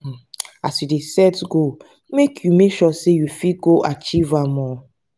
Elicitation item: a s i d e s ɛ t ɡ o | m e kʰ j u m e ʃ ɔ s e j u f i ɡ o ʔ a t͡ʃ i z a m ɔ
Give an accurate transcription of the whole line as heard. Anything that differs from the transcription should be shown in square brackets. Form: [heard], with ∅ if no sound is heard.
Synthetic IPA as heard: a s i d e s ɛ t ɡ o | m e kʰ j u m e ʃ ɔ s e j u f i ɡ o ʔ a t͡ʃ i [v] a m ɔ